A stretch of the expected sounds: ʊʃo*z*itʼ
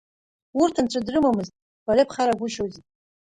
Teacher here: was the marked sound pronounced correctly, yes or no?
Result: yes